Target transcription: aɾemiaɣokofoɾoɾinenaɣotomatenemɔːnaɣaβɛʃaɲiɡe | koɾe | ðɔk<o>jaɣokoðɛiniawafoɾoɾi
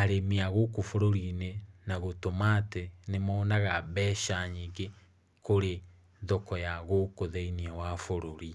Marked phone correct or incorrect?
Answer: incorrect: ɔ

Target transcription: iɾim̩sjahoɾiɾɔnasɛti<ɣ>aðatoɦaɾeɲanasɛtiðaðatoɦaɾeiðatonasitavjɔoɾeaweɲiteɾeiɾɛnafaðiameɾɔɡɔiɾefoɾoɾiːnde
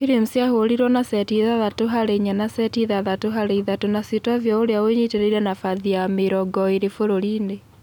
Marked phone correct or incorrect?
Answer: incorrect: ð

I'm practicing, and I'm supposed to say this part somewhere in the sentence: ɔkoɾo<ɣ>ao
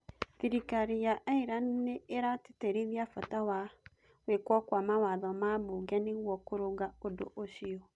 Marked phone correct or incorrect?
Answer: correct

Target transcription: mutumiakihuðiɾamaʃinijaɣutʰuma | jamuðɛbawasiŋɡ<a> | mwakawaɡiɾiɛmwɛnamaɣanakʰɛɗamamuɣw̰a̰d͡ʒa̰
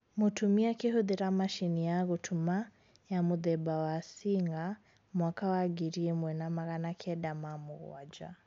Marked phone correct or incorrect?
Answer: correct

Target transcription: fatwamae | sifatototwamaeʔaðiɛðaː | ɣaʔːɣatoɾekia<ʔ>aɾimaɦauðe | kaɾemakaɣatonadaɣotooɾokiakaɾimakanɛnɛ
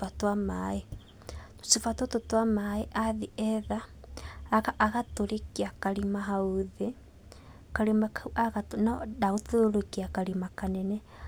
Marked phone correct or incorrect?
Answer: incorrect: k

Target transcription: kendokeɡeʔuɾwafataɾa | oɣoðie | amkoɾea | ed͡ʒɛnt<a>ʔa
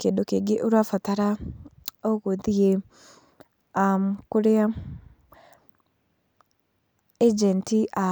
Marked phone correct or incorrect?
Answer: incorrect: i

